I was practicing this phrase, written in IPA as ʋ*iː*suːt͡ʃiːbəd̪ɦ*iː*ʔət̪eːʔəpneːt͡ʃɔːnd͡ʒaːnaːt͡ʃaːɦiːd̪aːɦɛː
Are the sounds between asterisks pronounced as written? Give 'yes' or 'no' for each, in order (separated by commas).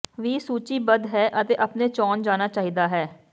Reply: yes, no